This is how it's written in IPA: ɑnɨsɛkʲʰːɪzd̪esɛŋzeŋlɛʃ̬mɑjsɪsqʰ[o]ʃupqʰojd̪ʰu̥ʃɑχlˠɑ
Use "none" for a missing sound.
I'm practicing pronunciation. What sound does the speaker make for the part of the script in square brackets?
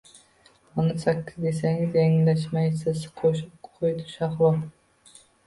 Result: o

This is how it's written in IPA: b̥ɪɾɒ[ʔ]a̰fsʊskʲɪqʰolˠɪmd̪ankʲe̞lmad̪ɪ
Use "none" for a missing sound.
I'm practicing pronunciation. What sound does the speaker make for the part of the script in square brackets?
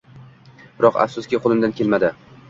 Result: q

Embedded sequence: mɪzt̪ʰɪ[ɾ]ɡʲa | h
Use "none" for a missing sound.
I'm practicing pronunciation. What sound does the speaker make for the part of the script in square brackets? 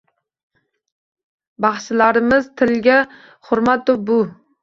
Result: l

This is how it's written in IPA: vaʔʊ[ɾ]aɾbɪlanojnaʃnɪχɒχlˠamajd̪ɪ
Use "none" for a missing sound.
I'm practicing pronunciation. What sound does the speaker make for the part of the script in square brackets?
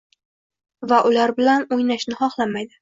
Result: l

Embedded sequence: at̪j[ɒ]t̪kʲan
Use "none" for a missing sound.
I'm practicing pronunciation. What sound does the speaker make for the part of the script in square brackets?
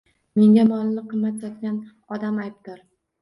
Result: ɒ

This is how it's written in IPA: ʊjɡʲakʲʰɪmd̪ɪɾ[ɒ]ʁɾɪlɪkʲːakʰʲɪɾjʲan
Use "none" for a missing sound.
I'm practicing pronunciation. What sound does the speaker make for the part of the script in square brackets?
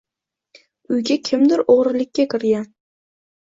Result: o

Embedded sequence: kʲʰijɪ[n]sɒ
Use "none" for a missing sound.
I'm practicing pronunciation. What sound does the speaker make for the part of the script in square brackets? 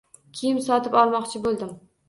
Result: m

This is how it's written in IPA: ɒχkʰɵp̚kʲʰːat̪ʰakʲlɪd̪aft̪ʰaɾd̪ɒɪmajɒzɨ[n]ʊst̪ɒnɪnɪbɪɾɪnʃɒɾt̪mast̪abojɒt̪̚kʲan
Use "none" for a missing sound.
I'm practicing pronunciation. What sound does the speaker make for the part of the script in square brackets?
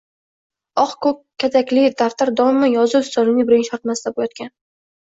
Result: none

